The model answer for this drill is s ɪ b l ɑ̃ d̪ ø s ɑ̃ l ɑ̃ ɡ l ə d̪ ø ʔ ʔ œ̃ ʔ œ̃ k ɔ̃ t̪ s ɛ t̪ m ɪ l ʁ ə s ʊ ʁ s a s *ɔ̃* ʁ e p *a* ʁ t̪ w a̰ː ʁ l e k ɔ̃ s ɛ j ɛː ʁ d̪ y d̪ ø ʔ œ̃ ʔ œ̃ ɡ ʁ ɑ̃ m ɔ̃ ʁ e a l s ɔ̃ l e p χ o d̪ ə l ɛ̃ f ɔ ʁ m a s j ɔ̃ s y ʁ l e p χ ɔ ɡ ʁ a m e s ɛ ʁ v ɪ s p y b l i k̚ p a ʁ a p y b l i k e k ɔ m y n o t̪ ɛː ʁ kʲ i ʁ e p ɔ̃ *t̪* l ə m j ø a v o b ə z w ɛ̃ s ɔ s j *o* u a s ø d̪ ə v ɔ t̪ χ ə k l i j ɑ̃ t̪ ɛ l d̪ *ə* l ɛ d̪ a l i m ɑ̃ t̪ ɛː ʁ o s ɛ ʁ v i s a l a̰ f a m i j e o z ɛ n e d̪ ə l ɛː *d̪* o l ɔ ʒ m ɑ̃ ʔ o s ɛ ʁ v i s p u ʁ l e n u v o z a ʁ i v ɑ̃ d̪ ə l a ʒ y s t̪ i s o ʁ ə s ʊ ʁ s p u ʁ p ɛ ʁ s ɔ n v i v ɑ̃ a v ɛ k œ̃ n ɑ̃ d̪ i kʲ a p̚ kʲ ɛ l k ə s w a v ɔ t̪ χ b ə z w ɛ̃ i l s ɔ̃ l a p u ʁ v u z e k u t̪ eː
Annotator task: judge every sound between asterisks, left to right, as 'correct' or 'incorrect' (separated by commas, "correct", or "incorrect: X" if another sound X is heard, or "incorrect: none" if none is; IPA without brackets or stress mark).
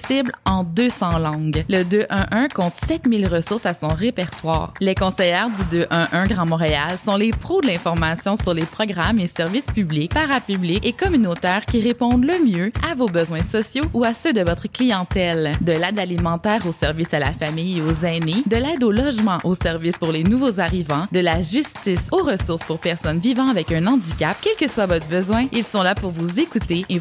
correct, incorrect: ɛ, incorrect: d̪, correct, correct, correct